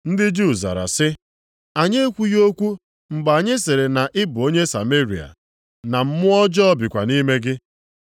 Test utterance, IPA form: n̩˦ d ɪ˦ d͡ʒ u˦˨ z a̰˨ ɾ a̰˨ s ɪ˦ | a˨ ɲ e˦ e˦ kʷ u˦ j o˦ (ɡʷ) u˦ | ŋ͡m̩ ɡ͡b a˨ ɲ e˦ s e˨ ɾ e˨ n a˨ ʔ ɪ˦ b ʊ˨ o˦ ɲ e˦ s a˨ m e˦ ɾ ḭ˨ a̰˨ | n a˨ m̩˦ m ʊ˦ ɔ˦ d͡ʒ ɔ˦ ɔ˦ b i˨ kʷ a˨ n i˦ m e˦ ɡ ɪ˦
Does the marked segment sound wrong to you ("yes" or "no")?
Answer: yes